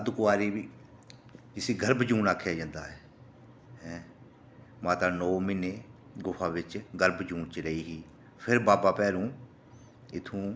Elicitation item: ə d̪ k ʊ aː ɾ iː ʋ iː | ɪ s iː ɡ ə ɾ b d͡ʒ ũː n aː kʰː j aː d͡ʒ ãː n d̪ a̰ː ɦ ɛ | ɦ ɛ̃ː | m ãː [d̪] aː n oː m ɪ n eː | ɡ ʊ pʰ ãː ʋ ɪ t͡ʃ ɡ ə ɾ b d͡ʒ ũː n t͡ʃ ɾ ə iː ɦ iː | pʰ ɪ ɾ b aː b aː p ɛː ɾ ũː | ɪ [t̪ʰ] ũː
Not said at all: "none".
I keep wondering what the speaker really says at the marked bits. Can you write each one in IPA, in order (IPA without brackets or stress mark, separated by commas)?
t̪, t̪ʰ